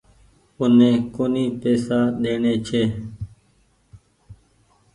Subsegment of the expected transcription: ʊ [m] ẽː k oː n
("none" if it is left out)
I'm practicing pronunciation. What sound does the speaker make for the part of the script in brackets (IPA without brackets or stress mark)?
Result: n